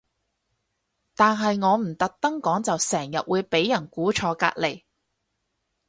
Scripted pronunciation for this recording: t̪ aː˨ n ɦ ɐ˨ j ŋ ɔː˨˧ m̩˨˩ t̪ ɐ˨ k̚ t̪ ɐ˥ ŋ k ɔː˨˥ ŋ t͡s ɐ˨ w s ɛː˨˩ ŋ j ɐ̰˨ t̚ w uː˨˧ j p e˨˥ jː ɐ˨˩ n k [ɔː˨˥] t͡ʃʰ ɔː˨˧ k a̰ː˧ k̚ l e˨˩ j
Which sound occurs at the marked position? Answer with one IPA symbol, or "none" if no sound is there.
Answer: uː˨˥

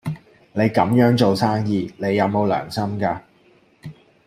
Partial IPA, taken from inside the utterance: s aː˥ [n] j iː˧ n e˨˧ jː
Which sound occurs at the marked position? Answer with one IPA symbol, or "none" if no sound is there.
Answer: ŋ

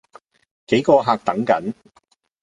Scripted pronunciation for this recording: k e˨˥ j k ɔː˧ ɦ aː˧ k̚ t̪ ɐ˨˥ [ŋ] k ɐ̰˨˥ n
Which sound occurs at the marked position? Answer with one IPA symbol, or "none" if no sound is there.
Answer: ŋ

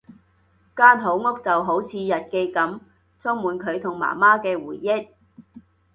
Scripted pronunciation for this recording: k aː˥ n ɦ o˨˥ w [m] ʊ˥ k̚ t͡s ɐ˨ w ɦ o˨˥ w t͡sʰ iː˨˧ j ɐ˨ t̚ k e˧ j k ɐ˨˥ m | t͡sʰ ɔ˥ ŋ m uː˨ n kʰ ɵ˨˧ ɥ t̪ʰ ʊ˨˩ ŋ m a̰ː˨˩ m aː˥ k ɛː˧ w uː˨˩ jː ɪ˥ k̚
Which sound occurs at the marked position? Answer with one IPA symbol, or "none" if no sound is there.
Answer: ŋ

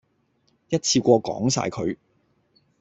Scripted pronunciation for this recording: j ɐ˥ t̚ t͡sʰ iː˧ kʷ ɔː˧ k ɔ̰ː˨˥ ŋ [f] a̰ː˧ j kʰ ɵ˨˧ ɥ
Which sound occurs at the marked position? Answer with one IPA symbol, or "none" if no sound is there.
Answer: s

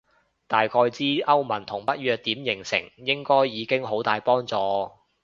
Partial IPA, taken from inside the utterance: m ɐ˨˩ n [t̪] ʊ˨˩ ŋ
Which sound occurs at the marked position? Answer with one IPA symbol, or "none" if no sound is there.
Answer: t̪ʰ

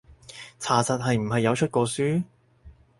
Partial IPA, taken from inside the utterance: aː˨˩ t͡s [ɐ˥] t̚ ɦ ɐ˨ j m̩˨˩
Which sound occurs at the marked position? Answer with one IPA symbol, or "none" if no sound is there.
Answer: ɐ˨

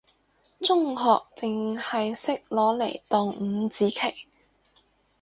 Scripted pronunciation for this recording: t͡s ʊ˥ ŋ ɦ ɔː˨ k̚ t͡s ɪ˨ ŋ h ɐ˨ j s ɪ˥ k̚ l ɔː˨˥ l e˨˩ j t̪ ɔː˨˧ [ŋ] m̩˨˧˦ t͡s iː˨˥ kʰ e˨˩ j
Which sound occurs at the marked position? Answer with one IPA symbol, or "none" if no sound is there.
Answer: ŋ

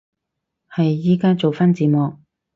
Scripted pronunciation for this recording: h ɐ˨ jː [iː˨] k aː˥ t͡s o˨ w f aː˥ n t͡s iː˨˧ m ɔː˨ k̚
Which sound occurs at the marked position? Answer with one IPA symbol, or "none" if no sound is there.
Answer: iː˥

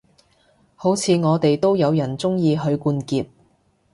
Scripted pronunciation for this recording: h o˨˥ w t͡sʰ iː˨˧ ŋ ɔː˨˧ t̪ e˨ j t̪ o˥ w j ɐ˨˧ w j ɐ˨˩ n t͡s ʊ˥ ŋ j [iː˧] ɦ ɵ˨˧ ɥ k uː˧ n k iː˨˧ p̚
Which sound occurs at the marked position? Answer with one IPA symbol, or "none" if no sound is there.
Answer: iː˧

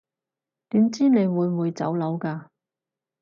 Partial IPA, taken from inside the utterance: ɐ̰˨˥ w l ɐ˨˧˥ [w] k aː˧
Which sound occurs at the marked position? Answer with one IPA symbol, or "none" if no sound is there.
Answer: w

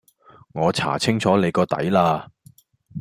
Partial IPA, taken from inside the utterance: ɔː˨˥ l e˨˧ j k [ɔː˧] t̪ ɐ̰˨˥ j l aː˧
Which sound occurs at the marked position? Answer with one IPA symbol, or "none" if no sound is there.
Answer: ɔː˧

